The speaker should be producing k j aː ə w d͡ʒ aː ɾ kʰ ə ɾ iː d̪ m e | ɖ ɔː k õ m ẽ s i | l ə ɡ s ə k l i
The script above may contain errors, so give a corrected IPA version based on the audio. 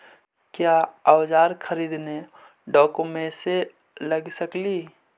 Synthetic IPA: k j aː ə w d͡ʒ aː ɾ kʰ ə ɾ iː d̪ n e | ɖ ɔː k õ m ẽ s e | l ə ɡ s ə k l i

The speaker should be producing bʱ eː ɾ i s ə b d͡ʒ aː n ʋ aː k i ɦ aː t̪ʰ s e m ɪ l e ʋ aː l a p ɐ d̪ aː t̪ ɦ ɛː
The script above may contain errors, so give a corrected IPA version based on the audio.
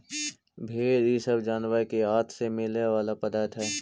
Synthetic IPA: bʱ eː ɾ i s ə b d͡ʒ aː n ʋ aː k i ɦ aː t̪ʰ s e m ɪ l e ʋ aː l a p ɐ d̪ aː t̪ ɦ ɛː

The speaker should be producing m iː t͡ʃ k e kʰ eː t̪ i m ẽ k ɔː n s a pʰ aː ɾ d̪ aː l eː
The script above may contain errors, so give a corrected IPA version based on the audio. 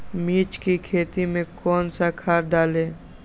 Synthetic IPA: m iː t͡ʃ k i kʰ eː t̪ i m ẽ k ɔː n s a kʰ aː ɾ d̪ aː l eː

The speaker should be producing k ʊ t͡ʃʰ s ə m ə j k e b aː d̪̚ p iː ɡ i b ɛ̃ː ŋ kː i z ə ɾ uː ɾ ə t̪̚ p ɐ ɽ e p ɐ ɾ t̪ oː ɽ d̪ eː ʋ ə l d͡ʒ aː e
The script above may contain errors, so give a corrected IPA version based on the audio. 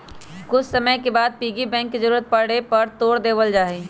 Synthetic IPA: k ʊ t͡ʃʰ s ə m ə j k e b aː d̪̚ p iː ɡ i b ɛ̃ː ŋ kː i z ə ɾ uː ɾ ə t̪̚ p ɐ ɽ e p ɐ ɾ t̪ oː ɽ d̪ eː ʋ ə l d͡ʒ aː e

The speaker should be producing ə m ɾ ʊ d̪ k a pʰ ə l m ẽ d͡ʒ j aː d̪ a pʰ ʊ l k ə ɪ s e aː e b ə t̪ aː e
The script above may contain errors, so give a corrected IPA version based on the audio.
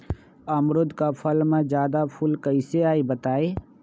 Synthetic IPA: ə m ɾ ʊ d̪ k a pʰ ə l m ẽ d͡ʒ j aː d̪ a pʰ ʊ l k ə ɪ s e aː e b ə t̪ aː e

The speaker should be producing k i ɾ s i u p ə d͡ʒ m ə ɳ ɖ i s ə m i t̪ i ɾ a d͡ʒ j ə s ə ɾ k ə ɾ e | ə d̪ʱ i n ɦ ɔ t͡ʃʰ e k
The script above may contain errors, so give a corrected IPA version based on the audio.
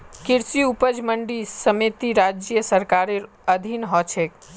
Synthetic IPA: k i ɾ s i u p ə d͡ʒ m ə ɳ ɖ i s ə m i t̪ i ɾ a d͡ʒ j ə s ə ɾ k a ɾ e | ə d̪ʱ i n ɦ ɔ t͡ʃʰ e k

